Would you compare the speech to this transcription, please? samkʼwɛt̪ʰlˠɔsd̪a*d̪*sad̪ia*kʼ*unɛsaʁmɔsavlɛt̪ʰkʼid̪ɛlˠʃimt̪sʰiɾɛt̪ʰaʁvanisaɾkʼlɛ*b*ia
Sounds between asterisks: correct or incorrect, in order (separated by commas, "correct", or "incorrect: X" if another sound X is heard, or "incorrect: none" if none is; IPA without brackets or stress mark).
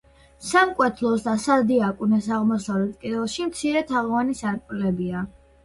incorrect: none, correct, correct